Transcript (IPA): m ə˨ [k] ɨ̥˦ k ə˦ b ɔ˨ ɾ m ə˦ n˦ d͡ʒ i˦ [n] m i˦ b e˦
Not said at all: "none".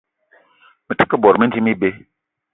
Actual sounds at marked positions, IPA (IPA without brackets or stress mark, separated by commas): t, none